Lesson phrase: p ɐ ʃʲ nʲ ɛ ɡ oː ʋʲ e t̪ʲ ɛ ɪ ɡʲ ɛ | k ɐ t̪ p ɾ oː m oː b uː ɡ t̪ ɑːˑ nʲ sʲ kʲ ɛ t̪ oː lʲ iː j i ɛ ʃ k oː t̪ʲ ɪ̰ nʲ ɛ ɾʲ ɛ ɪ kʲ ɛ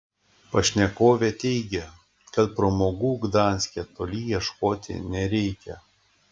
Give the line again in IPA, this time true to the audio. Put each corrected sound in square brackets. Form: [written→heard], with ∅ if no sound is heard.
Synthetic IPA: p ɐ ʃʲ nʲ ɛ [ɡ→k] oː ʋʲ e t̪ʲ ɛ ɪ ɡʲ ɛ | k ɐ t̪ p ɾ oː m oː [b→ɡ] uː ɡ [t̪→d̪] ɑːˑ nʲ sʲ kʲ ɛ t̪ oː lʲ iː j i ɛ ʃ k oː t̪ʲ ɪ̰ nʲ ɛ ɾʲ ɛ ɪ kʲ ɛ